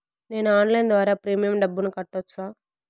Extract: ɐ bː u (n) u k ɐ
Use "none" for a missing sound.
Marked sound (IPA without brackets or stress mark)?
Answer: n